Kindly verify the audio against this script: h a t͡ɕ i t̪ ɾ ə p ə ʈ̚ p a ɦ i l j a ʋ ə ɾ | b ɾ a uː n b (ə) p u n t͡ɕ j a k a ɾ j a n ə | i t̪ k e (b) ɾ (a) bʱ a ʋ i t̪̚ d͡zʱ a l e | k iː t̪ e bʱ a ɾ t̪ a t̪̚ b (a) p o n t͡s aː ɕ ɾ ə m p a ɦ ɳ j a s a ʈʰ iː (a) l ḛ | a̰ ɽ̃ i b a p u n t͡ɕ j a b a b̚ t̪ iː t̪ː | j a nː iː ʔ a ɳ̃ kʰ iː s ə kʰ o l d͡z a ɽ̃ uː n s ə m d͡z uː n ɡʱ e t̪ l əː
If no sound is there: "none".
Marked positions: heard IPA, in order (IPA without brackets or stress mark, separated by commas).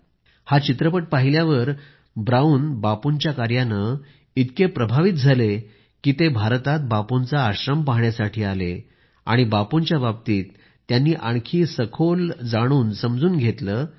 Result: a, p, ə, a, a